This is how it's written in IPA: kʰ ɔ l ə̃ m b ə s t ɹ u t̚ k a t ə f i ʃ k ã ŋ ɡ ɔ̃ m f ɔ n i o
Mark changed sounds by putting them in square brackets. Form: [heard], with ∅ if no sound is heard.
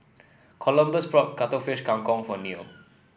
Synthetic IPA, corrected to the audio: kʰ ɔ l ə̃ m b ə s [p] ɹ [ɔ] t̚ k a t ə f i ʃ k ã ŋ [k] ɔ̃ [ŋ] f ɔ n i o